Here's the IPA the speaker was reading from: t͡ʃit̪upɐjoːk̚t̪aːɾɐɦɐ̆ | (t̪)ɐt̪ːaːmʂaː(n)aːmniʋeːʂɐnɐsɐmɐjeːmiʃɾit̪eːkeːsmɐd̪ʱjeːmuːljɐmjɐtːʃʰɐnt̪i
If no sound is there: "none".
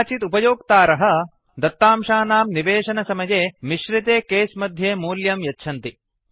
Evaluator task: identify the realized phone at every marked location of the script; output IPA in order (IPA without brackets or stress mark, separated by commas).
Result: d̪, n